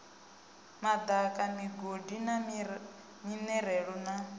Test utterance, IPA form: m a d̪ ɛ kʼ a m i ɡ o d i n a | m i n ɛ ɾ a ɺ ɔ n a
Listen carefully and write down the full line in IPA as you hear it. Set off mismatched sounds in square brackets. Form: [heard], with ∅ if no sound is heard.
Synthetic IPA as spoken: m a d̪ [a] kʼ a m i ɡ o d i n a | m i n ɛ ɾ [ɛ] ɺ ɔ n a